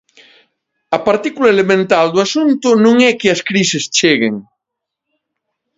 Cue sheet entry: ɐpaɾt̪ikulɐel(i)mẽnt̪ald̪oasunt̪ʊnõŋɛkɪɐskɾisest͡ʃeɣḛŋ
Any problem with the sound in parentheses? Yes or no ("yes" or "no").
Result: yes